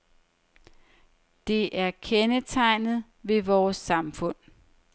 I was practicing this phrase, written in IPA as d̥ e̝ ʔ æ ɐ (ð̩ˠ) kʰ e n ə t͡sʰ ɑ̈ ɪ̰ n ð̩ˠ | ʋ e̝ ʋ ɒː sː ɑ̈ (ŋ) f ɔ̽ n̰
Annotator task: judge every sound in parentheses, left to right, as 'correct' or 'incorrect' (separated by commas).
incorrect, incorrect